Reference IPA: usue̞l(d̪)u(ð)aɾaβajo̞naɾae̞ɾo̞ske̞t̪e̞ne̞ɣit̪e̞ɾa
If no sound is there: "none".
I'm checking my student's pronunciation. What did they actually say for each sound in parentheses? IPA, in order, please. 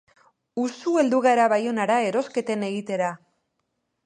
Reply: d̪, ɣ

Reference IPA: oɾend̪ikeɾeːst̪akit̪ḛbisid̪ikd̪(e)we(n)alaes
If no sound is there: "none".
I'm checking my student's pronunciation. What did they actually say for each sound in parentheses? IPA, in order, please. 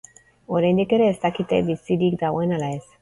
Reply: a, n

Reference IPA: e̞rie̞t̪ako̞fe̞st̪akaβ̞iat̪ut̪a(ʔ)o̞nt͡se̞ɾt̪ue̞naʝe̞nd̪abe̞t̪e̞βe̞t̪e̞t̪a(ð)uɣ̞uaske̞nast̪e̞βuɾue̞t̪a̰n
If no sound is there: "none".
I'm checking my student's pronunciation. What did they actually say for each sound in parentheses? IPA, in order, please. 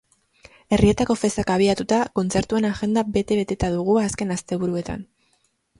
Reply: k, ð

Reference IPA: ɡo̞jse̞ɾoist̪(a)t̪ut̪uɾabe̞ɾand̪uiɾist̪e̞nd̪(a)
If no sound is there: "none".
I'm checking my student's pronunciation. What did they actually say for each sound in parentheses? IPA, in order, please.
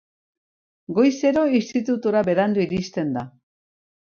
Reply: i, a

